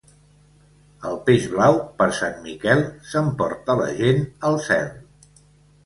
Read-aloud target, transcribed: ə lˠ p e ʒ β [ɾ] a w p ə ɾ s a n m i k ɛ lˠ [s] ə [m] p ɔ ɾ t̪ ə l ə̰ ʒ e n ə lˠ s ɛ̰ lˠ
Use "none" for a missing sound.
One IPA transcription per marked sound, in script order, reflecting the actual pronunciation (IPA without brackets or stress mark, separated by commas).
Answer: l, s, m